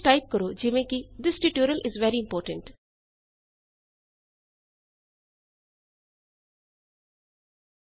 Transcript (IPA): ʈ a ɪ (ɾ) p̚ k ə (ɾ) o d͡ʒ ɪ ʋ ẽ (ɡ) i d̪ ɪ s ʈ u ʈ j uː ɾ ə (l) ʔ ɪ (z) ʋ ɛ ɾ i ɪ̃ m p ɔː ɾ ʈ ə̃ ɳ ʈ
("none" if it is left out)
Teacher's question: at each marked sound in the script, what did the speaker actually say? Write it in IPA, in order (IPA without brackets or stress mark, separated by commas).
none, ɾ, k, l, z